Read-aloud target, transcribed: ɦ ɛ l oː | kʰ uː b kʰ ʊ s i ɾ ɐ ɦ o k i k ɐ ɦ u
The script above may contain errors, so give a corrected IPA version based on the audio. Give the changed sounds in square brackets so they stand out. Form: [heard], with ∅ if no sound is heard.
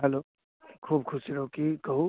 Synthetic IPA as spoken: ɦ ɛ l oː | kʰ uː b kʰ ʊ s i ɾ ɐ ɦ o k i k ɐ ɦ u